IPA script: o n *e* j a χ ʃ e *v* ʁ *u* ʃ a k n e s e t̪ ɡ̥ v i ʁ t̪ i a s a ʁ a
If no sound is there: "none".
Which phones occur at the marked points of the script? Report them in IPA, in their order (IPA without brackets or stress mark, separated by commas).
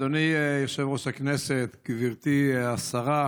i, v, o